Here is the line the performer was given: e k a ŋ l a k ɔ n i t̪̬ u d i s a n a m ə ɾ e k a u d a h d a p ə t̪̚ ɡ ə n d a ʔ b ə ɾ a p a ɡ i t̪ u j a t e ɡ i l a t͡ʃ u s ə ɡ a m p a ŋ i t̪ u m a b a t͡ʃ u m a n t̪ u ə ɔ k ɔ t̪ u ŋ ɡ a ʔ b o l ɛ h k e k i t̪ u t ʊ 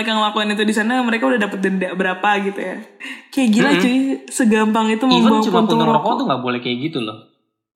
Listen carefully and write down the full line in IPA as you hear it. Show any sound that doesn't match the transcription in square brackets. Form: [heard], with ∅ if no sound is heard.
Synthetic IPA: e k a ŋ l a k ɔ n i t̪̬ u d i s a n a m ə ɾ e k a u d a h d a p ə t̪̚ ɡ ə n d a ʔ b ə ɾ a p a ɡ i t̪ u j a [k] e ɡ i l a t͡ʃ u s ə ɡ a m p a ŋ i t̪ u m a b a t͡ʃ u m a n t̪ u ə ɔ k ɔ t̪ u ŋ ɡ a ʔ b o l ɛ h k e [ɡ] i t̪ u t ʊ